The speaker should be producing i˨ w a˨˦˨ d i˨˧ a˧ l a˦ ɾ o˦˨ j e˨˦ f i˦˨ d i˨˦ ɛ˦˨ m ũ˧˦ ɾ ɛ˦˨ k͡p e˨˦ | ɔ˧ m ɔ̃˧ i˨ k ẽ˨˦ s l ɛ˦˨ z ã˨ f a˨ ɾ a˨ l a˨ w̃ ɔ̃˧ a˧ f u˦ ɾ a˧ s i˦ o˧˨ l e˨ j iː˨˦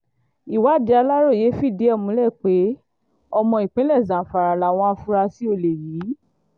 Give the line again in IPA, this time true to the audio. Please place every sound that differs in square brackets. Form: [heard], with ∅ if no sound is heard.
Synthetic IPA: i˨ w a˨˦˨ d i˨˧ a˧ l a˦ ɾ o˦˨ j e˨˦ f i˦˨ d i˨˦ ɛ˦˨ m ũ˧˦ [l] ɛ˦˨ k͡p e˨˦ | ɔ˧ m ɔ̃˧ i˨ [k͡p] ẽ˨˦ [∅] l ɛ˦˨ z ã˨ f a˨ ɾ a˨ l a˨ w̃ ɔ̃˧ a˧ f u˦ ɾ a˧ s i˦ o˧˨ l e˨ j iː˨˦